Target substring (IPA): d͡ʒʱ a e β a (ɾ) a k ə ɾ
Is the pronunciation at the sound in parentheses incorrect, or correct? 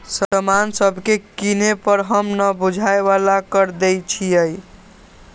incorrect